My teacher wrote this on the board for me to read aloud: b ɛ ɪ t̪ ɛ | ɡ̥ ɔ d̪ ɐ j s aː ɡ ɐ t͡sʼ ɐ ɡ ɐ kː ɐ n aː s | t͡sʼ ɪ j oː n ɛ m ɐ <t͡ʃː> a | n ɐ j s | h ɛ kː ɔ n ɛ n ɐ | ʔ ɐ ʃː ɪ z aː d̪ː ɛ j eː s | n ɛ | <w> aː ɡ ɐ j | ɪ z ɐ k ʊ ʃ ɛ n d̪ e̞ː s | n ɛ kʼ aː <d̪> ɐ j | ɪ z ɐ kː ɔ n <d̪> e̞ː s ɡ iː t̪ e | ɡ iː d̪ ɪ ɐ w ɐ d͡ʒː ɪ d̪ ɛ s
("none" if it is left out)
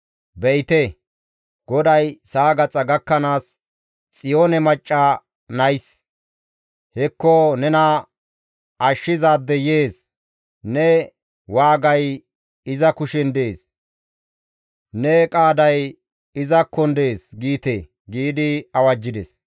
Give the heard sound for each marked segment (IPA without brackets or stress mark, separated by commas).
t͡ʃʼː, w, d̪, d̪